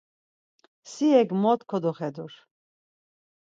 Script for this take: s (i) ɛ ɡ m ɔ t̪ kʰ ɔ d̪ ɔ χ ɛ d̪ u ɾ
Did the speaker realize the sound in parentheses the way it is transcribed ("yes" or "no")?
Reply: yes